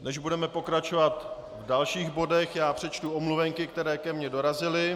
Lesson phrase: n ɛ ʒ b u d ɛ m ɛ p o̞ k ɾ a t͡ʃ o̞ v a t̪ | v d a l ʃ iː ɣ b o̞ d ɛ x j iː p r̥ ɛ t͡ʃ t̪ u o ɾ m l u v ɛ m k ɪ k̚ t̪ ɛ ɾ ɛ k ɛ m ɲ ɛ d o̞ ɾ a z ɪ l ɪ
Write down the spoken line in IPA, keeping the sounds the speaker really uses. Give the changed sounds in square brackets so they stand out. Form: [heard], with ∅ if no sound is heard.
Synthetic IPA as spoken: n ɛ ʒ b u d ɛ m ɛ p o̞ k ɾ a t͡ʃ o̞ v a t̪ | v d a l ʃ iː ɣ b o̞ d ɛ x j [aː] p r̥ ɛ t͡ʃ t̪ u o [∅] m l u v ɛ [ŋ] k ɪ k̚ t̪ ɛ ɾ [ɛː] k ɛ m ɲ ɛ d o̞ ɾ a z ɪ l ɪ

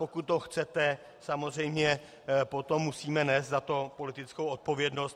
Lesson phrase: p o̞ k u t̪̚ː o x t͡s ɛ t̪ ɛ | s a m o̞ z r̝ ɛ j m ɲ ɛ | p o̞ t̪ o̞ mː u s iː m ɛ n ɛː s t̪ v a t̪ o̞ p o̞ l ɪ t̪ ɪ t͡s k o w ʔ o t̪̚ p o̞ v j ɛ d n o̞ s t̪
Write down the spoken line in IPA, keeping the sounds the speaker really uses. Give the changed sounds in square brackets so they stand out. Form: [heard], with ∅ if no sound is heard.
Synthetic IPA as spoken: p o̞ k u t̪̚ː o x t͡s ɛ t̪ ɛ | s a m o̞ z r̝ ɛ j m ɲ ɛ | p o̞ t̪ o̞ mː u s iː m ɛ n ɛː s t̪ [z] a t̪ o̞ p o̞ l ɪ t̪ ɪ t͡s k o w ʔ o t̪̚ p o̞ v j ɛ d n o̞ s t̪

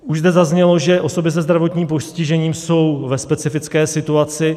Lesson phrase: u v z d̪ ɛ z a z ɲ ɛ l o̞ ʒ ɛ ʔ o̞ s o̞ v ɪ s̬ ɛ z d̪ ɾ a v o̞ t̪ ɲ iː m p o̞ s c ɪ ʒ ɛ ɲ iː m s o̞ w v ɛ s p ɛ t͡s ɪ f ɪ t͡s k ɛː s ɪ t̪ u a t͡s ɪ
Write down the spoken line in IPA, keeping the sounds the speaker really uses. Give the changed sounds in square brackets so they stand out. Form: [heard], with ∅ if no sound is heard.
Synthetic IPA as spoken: u [ʒ] z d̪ ɛ z a z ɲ ɛ l o̞ ʒ ɛ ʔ o̞ s o̞ [b] ɪ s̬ ɛ z d̪ ɾ a v o̞ t̪ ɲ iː m p o̞ s c ɪ ʒ ɛ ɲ iː m s o̞ w v ɛ s p ɛ t͡s ɪ f ɪ t͡s k ɛː s ɪ t̪ u a t͡s ɪ

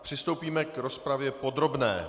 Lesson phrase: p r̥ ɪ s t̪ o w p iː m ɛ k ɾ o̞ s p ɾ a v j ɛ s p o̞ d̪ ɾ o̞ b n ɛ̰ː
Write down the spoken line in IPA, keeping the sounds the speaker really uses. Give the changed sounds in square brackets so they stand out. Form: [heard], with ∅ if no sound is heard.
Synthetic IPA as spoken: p r̥ ɪ s t̪ o w p iː m ɛ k ɾ o̞ s p ɾ a v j ɛ [∅] p o̞ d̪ ɾ o̞ b n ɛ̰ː

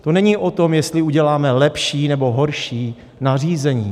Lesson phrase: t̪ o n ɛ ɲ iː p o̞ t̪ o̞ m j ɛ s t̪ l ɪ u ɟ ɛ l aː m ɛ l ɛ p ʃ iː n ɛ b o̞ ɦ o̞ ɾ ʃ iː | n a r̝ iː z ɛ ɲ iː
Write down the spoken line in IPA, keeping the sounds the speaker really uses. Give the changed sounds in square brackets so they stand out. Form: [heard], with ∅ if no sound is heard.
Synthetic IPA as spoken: t̪ o n ɛ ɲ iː [ʔ] o̞ t̪ o̞ m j ɛ s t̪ l ɪ u ɟ ɛ l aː m ɛ l ɛ p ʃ iː n ɛ b o̞ ɦ o̞ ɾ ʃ iː | n a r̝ iː z ɛ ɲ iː

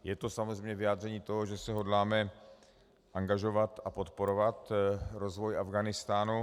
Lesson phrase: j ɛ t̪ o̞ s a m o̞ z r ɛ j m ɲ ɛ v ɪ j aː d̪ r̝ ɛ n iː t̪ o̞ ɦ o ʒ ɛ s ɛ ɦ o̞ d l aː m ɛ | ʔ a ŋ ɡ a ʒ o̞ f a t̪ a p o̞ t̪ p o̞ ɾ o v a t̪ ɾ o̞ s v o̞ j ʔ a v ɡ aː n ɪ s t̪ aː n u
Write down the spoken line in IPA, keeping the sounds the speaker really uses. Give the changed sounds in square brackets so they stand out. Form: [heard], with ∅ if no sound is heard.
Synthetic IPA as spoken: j ɛ t̪ o̞ s a m o̞ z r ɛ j m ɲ ɛ v ɪ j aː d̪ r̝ ɛ [ɲ] iː t̪ o̞ ɦ o ʒ ɛ s ɛ ɦ o̞ d l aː m ɛ | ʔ a ŋ ɡ a ʒ o̞ [v] a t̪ a p o̞ t̪ p o̞ ɾ o v a t̪ ɾ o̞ [z] v o̞ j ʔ a v ɡ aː n ɪ s t̪ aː n u

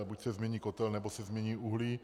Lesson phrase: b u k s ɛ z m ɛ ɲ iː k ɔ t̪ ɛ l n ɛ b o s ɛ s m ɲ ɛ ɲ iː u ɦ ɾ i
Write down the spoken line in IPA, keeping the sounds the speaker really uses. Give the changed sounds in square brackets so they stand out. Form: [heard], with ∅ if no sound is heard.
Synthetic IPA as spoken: b u [c] s ɛ z m ɛ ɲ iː k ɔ t̪ ɛ l n ɛ b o s ɛ [z] m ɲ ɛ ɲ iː u ɦ [l] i

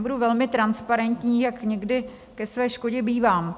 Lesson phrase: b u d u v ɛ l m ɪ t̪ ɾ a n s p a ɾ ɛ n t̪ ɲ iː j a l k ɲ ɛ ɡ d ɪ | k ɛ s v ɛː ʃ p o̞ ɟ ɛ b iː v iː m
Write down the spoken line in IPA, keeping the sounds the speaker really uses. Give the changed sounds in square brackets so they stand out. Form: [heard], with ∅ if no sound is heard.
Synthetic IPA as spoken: b u d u v ɛ l m ɪ t̪ ɾ a n s p a ɾ ɛ n t̪ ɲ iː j a [∅] k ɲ ɛ ɡ d ɪ | k ɛ s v ɛː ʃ [k] o̞ ɟ ɛ b iː v [aː] m

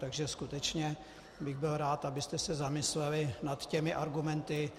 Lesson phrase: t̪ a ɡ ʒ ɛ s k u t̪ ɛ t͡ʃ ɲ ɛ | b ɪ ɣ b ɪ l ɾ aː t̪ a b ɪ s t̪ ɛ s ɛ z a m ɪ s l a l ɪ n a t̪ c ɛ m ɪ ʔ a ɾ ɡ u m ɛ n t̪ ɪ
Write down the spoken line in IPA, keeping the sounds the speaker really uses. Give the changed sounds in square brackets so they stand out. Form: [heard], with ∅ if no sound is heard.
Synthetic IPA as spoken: t̪ a ɡ ʒ ɛ s k u t̪ ɛ t͡ʃ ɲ ɛ | b ɪ ɣ b ɪ l ɾ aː t̪ a b ɪ s t̪ ɛ s ɛ z a m ɪ s l [ɛ] l ɪ n a t̪ c ɛ m ɪ ʔ a ɾ ɡ u m ɛ n t̪ ɪ

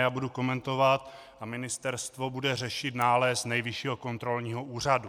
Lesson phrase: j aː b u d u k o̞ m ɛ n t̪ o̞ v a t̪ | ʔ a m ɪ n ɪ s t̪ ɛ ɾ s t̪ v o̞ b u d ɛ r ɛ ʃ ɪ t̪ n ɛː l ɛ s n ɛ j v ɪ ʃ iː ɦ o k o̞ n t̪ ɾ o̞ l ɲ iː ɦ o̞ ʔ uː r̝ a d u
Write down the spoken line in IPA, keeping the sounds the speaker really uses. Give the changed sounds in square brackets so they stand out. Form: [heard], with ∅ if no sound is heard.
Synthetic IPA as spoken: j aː b u d u k o̞ m ɛ n t̪ o̞ v a t̪ | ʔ a m ɪ n ɪ s t̪ ɛ ɾ s t̪ v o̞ b u d ɛ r ɛ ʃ ɪ t̪ n [aː] l ɛ s n ɛ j v ɪ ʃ iː ɦ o k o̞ n t̪ ɾ o̞ l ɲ iː ɦ o̞ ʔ uː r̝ a d u

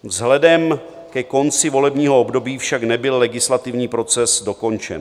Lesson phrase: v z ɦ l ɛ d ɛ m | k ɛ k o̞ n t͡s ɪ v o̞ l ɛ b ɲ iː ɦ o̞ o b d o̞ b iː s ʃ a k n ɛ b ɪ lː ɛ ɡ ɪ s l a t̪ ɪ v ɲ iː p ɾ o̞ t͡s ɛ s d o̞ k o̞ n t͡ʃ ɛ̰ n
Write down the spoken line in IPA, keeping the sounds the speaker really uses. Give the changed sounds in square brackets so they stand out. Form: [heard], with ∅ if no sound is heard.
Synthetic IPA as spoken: v z ɦ l ɛ d ɛ m | k ɛ k o̞ n t͡s ɪ v o̞ l ɛ b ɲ iː ɦ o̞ o b d o̞ b iː [f] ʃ a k n ɛ b ɪ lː ɛ ɡ ɪ s l a t̪ ɪ v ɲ iː p ɾ o̞ t͡s ɛ s d o̞ k o̞ n t͡ʃ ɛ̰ n

